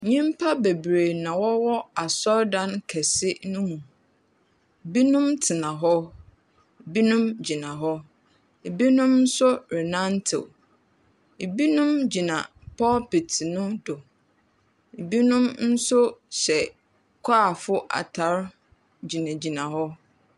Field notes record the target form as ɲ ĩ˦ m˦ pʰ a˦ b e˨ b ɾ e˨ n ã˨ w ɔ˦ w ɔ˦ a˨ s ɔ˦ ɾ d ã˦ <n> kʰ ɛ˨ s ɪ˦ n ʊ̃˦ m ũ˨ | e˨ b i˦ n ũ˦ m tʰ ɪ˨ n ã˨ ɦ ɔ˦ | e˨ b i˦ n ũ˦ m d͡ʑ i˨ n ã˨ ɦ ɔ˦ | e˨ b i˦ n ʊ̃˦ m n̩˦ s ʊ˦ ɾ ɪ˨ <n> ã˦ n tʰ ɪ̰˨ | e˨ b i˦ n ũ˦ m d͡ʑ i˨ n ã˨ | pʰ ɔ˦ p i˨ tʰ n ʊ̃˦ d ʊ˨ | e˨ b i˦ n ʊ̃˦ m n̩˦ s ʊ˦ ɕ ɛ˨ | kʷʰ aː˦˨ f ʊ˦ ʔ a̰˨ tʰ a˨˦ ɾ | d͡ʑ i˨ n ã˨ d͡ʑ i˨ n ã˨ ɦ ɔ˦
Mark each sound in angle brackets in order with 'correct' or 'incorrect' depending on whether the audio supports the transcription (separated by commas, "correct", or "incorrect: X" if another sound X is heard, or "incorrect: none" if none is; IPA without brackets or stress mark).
correct, correct